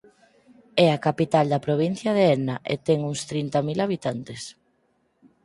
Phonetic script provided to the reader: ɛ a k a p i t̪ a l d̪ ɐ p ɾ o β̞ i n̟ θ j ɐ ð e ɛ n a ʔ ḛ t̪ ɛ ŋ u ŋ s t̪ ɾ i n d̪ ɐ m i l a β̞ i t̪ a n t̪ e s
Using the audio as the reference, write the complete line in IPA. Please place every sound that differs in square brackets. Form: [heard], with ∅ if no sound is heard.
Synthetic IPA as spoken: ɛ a k a p i t̪ a l d̪ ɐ p ɾ o β̞ i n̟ θ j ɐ ð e ɛ n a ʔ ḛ t̪ ɛ ŋ u ŋ s t̪ ɾ i n [t̪] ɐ m i l a β̞ i t̪ a n t̪ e s